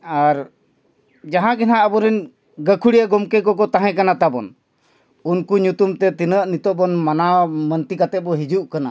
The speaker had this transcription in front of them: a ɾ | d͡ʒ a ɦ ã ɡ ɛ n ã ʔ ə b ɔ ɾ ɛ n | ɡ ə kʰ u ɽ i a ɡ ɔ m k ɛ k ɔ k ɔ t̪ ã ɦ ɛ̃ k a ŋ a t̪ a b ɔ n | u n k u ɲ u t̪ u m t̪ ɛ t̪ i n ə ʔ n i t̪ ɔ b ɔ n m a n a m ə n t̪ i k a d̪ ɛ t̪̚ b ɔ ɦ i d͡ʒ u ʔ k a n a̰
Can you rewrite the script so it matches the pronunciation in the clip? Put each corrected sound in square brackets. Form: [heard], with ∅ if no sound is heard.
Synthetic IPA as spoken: a ɾ | d͡ʒ a ɦ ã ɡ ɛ n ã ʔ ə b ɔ ɾ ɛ n | ɡ ə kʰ u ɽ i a ɡ ɔ m k ɛ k ɔ k ɔ t̪ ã ɦ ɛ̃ k a [n] a t̪ a b ɔ n | u n k u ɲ u t̪ u m t̪ ɛ t̪ i n ə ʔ n i t̪ ɔ b ɔ n m a n a m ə n t̪ i k a [t̪] ɛ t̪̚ b ɔ ɦ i d͡ʒ u ʔ k a n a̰